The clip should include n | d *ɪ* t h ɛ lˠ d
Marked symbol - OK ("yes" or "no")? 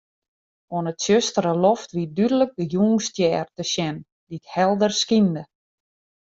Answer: no